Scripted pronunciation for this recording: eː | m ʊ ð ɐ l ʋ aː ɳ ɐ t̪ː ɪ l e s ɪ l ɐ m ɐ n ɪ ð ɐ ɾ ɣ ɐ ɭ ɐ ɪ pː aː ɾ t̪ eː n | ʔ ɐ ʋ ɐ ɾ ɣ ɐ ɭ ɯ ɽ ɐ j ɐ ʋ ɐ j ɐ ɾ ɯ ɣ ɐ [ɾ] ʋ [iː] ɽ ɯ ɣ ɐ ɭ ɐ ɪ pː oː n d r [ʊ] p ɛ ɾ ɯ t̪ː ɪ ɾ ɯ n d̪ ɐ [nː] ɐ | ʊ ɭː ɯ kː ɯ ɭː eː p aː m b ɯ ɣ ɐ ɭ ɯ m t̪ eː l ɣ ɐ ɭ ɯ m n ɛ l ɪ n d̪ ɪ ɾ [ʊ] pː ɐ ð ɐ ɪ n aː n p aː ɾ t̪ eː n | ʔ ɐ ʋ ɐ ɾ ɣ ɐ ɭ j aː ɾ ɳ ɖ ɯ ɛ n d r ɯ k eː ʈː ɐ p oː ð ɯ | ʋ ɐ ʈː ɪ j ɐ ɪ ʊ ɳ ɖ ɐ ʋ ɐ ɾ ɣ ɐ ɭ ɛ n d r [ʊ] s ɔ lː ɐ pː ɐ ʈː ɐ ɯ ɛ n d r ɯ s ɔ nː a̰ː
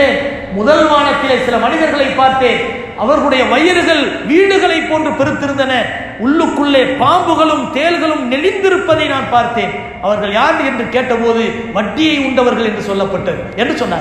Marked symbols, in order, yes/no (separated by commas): no, yes, no, no, no, no